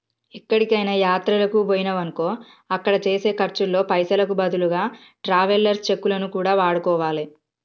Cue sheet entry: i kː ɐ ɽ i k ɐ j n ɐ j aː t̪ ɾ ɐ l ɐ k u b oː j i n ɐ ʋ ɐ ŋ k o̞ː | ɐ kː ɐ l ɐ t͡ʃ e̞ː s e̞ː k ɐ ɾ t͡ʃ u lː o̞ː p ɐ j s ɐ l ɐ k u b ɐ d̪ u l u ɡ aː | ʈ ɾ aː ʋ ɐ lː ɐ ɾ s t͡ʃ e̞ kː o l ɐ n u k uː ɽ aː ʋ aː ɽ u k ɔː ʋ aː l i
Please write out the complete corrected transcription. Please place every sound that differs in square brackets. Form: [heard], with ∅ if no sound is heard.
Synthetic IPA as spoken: i kː ɐ ɽ i k ɐ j n ɐ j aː t̪ ɾ ɐ l ɐ k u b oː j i n ɐ ʋ ɐ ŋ k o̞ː | ɐ kː ɐ [ɽ] ɐ t͡ʃ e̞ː s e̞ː k ɐ ɾ t͡ʃ u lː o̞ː p ɐ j s ɐ l ɐ k u b ɐ d̪ u l u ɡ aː | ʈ ɾ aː ʋ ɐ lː ɐ ɾ s t͡ʃ e̞ kː [u] l ɐ n u k uː ɽ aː ʋ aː ɽ u k ɔː ʋ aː l i